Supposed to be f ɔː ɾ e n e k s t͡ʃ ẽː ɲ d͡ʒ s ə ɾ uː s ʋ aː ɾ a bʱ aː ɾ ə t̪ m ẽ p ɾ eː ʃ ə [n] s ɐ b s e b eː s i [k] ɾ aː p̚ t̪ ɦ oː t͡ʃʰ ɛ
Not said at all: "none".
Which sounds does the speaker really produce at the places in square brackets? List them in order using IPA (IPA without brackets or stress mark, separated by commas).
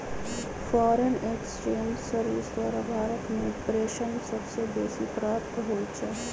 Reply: n, p